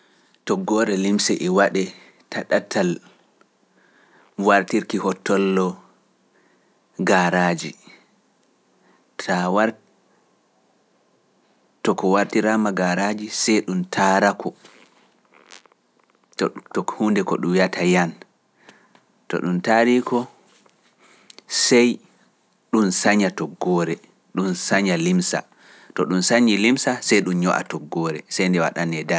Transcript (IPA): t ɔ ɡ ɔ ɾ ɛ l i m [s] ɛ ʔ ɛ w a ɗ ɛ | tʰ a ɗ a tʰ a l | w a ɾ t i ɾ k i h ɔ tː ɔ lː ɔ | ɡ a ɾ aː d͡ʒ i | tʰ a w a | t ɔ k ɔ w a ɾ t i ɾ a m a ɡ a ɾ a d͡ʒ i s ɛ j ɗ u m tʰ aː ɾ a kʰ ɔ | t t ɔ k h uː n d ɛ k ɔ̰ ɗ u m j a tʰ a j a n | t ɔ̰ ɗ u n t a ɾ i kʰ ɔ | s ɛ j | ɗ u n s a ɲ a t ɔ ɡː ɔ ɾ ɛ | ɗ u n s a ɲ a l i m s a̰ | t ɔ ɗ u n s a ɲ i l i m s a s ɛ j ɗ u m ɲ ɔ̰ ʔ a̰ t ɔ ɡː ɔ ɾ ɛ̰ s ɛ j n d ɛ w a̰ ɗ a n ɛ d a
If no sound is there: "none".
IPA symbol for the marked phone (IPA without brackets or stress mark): s